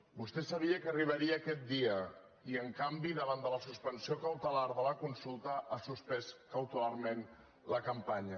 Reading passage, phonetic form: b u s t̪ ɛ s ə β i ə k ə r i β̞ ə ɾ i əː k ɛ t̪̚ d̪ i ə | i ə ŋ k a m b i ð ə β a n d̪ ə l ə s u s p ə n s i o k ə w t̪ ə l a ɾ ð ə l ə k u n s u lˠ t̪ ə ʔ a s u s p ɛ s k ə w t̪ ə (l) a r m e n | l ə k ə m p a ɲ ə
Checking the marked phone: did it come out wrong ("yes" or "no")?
no